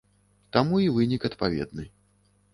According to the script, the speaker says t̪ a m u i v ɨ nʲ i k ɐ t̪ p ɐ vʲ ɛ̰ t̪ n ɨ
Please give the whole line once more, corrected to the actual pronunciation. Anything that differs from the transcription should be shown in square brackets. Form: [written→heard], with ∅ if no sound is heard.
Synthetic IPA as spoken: t̪ a m u i v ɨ nʲ i k ɐ t̪ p [ɐ→a] vʲ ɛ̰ [t̪→d̪] n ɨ

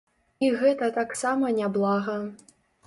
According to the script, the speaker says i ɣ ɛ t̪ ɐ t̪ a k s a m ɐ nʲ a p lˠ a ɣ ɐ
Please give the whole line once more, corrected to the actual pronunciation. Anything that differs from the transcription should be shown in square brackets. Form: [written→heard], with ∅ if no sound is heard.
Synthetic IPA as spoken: i ɣ ɛ t̪ ɐ t̪ a k s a m ɐ nʲ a [p→b] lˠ a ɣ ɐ

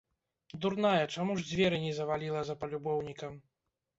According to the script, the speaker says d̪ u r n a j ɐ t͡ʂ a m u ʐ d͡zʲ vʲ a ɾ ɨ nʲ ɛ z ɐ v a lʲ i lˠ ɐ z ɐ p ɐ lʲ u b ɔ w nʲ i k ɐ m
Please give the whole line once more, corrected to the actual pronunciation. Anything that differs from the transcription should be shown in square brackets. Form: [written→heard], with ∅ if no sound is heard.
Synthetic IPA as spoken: d̪ u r n a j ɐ t͡ʂ a m u ʐ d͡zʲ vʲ [a→ɛ] ɾ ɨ nʲ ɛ z ɐ v a lʲ i lˠ ɐ z ɐ p ɐ lʲ u b ɔ w nʲ i k ɐ m

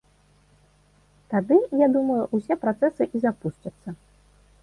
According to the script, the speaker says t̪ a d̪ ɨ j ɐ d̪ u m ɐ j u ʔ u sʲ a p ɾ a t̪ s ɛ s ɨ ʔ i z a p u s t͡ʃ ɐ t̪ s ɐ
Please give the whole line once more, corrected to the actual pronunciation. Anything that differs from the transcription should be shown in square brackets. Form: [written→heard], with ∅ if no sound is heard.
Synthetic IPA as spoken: t̪ a d̪ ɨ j [ɐ→a] d̪ u m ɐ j u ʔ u sʲ [a→ɛ] p ɾ a t̪ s ɛ s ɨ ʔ i z a p u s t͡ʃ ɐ t̪ [s→sː] ɐ

